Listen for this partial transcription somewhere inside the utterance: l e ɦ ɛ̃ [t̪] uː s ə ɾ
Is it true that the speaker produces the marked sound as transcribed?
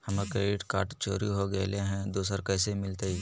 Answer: no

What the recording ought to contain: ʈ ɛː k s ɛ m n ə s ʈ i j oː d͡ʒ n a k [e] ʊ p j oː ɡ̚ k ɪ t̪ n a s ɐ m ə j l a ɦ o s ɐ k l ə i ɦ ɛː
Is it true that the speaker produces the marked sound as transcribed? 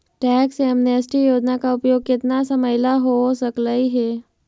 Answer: no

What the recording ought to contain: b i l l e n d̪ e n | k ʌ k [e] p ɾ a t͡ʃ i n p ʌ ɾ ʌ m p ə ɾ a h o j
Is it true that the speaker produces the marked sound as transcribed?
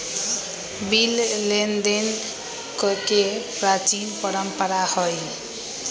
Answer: yes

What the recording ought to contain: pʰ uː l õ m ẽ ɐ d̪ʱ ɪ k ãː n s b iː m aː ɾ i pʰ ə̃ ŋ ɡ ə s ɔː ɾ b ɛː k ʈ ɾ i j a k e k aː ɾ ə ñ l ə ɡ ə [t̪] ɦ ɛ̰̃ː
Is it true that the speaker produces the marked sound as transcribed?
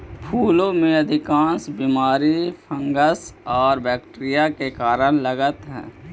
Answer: yes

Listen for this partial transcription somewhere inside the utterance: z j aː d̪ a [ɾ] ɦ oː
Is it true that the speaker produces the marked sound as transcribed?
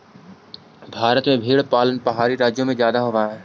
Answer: no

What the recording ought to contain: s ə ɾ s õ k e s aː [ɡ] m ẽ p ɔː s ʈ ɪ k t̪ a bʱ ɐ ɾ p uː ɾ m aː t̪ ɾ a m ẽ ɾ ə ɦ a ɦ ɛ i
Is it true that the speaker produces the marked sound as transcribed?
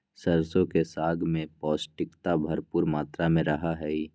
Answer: yes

